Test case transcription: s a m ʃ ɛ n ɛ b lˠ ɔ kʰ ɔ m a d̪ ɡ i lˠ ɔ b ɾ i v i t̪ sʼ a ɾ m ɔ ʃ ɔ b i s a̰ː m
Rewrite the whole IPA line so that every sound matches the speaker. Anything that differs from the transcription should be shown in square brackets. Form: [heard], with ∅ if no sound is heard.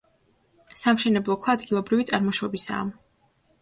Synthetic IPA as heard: s a m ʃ ɛ n ɛ b lˠ ɔ kʰ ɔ [∅] a d̪ ɡ i lˠ ɔ b ɾ i v i t̪ sʼ a ɾ m ɔ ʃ ɔ b i s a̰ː m